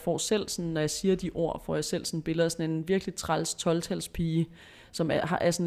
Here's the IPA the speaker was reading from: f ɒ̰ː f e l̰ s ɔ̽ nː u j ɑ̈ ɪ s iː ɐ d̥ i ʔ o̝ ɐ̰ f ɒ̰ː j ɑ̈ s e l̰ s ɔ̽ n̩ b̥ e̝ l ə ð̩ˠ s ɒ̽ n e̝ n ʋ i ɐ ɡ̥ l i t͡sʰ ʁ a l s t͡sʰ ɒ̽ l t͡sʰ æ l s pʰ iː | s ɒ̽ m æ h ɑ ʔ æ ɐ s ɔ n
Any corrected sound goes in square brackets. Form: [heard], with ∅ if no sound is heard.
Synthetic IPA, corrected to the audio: f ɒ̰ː [s] e l̰ s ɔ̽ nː [ɒ] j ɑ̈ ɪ s iː ɐ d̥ i ʔ o̝ ɐ̰ f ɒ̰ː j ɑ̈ s e l̰ s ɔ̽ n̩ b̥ e̝ l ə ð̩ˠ s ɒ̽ n e̝ n ʋ i ɐ ɡ̥ l i t͡sʰ ʁ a l s t͡sʰ ɒ̽ l t͡sʰ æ l s pʰ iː | s ɒ̽ m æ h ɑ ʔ æ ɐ s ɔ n